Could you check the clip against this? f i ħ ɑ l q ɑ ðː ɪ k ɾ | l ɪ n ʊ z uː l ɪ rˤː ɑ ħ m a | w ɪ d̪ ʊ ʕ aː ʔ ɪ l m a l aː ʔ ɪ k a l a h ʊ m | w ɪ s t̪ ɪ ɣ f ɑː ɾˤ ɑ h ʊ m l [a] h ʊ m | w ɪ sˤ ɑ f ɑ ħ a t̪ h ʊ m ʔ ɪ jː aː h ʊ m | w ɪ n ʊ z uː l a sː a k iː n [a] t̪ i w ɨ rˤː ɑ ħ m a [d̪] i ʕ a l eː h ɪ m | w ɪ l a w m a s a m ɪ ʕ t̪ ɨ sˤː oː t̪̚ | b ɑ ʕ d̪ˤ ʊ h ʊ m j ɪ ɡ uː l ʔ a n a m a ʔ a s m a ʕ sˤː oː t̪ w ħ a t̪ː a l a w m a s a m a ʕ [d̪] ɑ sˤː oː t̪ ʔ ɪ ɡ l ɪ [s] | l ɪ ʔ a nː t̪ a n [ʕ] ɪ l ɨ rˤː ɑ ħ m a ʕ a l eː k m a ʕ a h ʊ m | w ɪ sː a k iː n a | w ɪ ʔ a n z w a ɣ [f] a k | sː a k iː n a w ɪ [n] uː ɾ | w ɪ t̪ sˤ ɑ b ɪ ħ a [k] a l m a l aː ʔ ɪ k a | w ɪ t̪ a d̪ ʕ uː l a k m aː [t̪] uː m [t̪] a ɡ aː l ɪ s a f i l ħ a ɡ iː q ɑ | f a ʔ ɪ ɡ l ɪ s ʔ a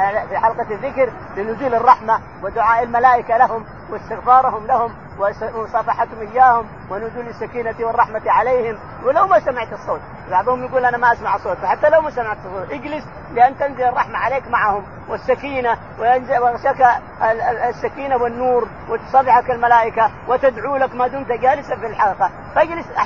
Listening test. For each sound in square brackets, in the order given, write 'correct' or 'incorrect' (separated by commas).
correct, correct, incorrect, incorrect, correct, incorrect, incorrect, incorrect, correct, incorrect, correct